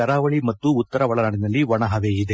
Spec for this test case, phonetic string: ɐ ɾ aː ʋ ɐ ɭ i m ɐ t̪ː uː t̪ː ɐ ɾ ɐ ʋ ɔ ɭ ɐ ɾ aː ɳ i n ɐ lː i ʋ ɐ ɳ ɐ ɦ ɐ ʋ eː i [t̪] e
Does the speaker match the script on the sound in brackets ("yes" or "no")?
no